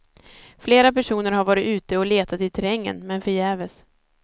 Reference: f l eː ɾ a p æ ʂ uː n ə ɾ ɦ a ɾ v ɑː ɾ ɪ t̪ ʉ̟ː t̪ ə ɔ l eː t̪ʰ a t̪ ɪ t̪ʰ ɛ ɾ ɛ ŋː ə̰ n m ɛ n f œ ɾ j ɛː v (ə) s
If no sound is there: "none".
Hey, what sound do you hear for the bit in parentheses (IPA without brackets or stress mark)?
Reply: ə